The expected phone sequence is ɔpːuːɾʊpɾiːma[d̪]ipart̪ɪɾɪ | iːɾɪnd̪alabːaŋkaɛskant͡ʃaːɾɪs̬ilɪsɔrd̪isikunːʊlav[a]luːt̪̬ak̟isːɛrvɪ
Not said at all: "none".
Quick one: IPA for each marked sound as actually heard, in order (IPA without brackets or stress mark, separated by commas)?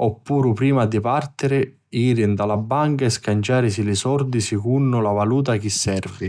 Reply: d̪, a